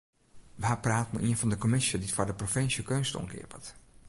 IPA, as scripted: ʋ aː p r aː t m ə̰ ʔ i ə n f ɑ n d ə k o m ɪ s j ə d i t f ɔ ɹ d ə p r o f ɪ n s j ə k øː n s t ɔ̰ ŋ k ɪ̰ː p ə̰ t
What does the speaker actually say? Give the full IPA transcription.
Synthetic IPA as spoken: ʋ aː p r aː t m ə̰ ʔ i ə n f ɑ n d ə k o m ɪ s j ə d i t f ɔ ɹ d ə p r o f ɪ n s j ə k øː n s t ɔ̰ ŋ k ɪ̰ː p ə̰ t